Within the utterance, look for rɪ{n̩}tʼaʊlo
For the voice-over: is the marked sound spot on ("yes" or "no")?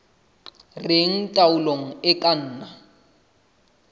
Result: no